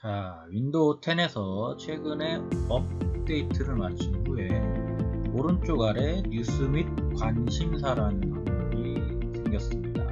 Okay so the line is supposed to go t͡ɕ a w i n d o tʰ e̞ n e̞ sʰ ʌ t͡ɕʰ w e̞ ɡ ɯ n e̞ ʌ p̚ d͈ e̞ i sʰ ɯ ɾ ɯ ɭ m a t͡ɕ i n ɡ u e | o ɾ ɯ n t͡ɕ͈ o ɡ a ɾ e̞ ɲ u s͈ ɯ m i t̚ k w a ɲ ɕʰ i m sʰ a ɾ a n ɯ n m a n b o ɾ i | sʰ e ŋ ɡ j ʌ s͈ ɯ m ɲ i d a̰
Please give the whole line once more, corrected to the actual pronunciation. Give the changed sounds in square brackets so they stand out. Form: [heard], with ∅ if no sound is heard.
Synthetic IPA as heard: t͡ɕ a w i n d o tʰ e̞ n e̞ sʰ ʌ t͡ɕʰ w e̞ ɡ ɯ n e̞ ʌ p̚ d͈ e̞ i [tʰ] ɯ ɾ ɯ ɭ m a [t͡ɕʰ] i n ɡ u e | o ɾ ɯ n t͡ɕ͈ o ɡ a ɾ e̞ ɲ u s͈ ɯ m i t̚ k w a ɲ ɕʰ i m sʰ a ɾ a n ɯ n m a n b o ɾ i | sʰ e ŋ ɡ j ʌ s͈ ɯ m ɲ i d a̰